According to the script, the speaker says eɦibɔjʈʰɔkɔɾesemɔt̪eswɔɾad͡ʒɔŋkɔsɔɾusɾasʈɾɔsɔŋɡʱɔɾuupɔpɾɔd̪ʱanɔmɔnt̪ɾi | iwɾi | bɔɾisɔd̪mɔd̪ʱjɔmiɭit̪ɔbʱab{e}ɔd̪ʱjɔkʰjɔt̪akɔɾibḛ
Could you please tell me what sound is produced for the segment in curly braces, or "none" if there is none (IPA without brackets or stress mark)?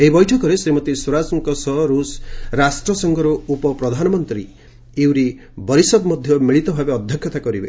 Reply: e